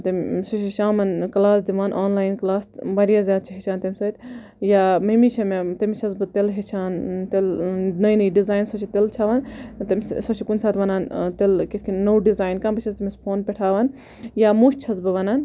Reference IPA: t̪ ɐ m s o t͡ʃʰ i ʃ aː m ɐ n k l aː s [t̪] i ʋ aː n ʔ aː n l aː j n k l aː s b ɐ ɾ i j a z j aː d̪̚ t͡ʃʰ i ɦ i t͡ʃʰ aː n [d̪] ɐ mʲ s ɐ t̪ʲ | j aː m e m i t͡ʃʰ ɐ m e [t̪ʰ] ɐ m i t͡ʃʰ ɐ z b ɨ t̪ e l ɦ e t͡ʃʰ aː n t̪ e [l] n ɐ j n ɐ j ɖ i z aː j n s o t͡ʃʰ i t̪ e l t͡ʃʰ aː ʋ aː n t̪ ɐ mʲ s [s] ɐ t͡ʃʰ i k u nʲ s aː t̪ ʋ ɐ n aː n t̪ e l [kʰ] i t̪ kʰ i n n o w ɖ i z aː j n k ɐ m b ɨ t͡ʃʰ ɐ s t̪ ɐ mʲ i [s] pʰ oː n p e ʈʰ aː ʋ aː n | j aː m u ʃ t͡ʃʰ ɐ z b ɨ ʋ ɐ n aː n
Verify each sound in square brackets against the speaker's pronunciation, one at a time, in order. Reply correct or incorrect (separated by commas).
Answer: incorrect, incorrect, incorrect, correct, correct, incorrect, correct